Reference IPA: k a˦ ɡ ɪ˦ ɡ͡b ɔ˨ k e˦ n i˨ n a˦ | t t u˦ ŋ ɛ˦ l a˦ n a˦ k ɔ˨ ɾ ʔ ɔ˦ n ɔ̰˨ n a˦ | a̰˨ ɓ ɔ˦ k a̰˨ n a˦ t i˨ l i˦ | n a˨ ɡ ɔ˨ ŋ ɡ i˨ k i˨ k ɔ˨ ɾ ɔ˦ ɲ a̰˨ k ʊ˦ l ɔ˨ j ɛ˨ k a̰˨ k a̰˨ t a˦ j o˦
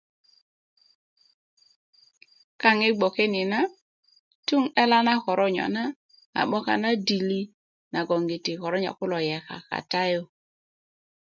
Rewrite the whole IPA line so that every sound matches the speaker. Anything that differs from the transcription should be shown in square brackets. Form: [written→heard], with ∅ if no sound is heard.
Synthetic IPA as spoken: k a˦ [ɡ→ŋ] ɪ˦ ɡ͡b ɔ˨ k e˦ n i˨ n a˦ | t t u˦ ŋ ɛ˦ l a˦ n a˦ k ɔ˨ ɾ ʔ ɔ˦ [n→ɲ] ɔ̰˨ n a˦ | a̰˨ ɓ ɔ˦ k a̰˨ n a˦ [t→d] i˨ l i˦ | n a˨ ɡ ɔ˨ ŋ ɡ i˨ [k→t] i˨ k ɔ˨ ɾ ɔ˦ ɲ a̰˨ k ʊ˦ l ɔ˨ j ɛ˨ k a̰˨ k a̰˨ t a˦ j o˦